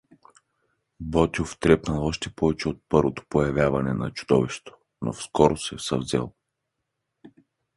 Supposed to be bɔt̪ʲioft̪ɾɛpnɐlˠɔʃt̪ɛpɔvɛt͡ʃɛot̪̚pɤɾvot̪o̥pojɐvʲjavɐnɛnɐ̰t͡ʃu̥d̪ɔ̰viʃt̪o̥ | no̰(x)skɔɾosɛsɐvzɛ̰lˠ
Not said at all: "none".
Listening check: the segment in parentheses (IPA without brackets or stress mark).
f